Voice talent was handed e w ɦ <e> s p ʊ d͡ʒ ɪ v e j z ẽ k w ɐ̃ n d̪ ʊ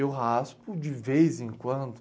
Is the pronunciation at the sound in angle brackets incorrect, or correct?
incorrect